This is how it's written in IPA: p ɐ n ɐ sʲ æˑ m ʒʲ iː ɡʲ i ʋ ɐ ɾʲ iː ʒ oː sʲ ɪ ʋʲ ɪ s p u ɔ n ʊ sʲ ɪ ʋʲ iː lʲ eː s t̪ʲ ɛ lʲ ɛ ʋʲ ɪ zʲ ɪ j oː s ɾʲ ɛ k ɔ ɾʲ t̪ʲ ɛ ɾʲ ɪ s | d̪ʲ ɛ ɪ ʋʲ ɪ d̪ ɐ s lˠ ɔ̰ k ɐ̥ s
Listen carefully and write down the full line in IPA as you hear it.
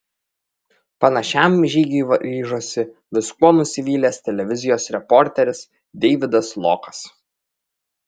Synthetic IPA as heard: p ɐ n ɐ ʃʲ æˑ m ʒʲ iː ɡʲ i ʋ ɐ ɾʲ iː ʒ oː sʲ ɪ ʋʲ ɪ s k u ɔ n ʊ sʲ ɪ ʋʲ iː lʲ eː s t̪ʲ ɛ lʲ ɛ ʋʲ ɪ zʲ ɪ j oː s ɾʲ ɛ p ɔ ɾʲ t̪ʲ ɛ ɾʲ ɪ s | d̪ʲ ɛ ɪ ʋʲ ɪ d̪ ɐ s lˠ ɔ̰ k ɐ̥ s